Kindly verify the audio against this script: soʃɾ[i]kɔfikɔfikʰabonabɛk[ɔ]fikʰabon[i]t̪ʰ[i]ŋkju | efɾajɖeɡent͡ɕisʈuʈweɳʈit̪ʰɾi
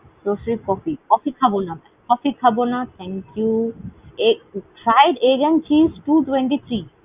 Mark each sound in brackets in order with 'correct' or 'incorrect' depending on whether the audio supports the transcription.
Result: correct, correct, incorrect: a, incorrect: ɛ

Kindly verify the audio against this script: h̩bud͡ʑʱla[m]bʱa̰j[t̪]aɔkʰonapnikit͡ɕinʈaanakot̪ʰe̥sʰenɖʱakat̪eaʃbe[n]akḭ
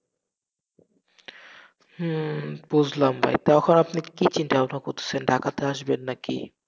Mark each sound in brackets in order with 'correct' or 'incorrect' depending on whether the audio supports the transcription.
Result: correct, correct, incorrect: nː

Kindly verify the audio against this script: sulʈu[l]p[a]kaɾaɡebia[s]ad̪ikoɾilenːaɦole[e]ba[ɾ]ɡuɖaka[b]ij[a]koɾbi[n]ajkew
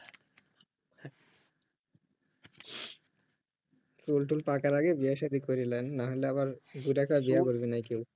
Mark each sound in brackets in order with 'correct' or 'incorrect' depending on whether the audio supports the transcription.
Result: correct, correct, incorrect: ʃ, incorrect: a, correct, correct, correct, correct

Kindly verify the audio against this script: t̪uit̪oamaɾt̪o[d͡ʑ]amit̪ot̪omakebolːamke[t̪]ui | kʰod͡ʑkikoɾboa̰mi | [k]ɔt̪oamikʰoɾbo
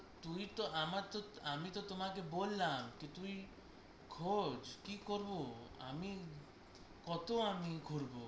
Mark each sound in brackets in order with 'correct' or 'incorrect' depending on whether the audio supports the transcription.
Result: incorrect: none, correct, correct

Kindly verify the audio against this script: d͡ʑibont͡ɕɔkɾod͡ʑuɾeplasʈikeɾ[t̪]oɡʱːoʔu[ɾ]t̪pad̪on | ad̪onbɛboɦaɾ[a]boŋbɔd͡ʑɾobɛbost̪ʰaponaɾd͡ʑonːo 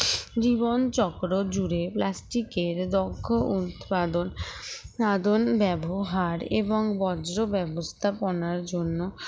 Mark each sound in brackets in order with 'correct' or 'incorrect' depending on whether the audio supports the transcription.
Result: incorrect: d̪, incorrect: none, incorrect: e

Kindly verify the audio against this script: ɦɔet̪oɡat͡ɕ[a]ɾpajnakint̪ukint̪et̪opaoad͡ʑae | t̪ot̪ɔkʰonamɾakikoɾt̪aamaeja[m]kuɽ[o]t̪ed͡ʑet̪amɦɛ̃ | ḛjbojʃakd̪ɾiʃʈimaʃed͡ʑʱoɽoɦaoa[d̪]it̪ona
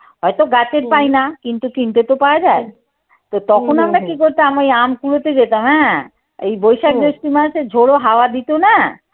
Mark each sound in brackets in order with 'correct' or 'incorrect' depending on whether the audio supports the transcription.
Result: incorrect: e, correct, correct, correct

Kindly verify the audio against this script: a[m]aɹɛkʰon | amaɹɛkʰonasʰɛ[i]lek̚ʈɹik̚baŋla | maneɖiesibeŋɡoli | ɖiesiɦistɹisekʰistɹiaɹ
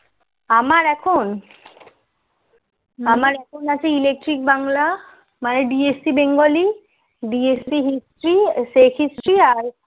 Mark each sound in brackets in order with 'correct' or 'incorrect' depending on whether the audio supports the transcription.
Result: correct, correct

